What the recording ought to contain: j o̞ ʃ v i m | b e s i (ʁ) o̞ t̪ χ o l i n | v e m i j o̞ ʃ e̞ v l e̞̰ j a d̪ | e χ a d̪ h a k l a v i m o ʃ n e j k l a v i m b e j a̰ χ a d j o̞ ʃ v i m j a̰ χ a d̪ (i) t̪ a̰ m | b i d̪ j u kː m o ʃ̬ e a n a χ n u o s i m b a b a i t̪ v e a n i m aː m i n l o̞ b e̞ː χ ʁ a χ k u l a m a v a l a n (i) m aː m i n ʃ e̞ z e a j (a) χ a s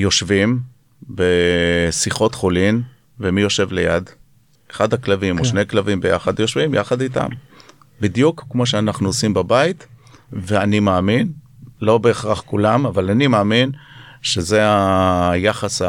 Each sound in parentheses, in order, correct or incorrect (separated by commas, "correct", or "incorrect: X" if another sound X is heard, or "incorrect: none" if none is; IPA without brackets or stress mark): incorrect: χ, correct, correct, correct